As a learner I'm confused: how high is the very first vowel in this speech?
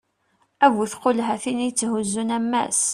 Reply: low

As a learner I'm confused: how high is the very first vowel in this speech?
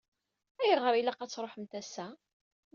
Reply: low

